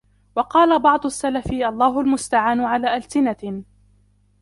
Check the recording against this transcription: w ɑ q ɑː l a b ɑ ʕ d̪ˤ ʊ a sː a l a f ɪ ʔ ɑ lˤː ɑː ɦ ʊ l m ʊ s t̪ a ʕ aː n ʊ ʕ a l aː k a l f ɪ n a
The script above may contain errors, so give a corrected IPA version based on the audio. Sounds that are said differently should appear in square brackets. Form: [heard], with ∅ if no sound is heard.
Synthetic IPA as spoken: w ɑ q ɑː l a b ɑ ʕ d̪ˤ ʊ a sː a l a f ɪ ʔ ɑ lˤː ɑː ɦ ʊ l m ʊ s t̪ a ʕ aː n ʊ ʕ a l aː [ʔ] a l [s] ɪ n a